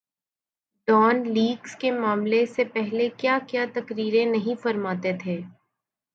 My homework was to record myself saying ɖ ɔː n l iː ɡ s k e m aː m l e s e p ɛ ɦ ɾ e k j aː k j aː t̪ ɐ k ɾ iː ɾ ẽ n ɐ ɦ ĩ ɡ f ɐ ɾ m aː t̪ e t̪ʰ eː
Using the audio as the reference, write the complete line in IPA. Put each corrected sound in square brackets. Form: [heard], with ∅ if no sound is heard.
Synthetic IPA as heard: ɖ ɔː n l iː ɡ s k e m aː m l e s e p ɛ ɦ [l] e k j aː k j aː t̪ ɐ k ɾ iː ɾ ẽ n ɐ ɦ ĩ [∅] f ɐ ɾ m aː t̪ e t̪ʰ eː